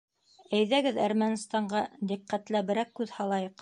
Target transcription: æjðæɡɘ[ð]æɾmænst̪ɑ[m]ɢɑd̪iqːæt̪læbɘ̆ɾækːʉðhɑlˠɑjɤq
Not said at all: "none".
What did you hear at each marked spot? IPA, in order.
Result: ð, ɴ

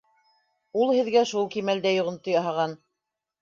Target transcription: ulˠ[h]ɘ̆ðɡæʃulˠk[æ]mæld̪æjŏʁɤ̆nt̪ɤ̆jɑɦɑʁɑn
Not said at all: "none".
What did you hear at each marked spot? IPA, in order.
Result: h, i

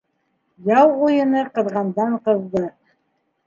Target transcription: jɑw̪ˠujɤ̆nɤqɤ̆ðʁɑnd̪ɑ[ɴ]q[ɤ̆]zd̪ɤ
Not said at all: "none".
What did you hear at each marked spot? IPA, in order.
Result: ɴ, ɤ̆

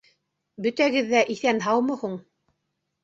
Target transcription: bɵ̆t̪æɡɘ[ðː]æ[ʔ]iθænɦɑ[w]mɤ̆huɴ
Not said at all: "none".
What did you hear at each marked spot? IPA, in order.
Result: ðː, ʔ, w

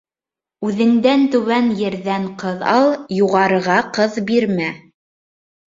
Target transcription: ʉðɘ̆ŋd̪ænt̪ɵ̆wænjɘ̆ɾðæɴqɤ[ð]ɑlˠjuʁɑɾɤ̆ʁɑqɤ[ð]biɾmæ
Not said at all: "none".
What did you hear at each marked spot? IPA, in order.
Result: ð, ð

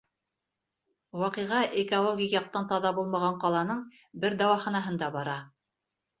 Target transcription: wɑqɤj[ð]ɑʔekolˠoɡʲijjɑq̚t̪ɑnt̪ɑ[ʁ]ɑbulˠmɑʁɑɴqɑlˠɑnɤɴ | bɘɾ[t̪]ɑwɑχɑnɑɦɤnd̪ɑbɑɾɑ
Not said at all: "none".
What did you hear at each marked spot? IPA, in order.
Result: ʁ, ð, d̪

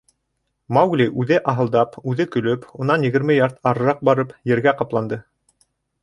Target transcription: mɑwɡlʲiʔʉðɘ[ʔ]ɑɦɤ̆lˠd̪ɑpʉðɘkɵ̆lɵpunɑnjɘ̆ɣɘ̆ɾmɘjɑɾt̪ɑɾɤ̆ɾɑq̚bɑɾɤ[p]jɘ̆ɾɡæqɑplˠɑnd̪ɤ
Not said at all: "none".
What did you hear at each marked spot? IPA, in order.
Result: ʔ, p

